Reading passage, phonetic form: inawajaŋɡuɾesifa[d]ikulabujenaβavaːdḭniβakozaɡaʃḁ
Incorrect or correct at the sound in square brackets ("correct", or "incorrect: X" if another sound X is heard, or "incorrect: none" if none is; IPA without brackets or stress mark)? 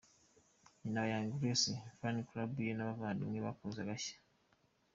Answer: incorrect: n